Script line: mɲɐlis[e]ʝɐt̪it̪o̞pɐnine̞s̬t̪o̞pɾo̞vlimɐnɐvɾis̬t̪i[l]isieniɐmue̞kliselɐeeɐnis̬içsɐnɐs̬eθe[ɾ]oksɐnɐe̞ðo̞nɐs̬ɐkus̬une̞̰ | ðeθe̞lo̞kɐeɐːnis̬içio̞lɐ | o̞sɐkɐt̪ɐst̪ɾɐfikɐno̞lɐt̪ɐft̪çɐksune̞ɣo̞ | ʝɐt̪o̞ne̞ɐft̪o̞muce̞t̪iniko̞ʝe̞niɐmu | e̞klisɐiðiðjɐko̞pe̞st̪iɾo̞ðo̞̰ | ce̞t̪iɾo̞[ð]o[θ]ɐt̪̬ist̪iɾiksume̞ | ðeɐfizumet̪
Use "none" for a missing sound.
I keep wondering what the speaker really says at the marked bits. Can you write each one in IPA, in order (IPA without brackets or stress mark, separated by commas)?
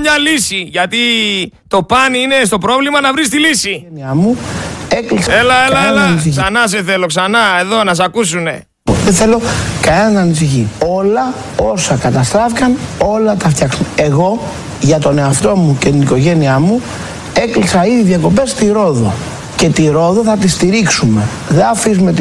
i, l, l, ð, θ